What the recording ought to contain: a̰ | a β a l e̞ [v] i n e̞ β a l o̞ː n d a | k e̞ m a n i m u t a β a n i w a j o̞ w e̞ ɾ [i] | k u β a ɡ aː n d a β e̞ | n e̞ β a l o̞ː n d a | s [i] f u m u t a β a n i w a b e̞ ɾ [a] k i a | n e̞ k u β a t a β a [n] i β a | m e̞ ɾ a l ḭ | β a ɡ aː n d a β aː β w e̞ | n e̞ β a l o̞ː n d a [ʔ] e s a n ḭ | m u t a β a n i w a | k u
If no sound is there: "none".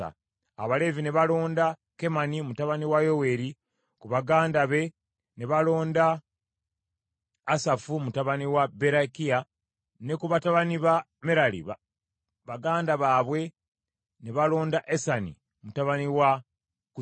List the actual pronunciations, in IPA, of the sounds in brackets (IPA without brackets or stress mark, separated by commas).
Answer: v, i, a, a, n, ʔ